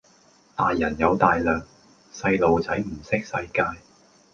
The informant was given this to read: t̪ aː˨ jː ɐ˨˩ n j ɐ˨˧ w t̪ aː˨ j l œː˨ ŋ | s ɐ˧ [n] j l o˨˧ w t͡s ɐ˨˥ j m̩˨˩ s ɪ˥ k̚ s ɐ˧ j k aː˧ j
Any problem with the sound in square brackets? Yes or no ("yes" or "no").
yes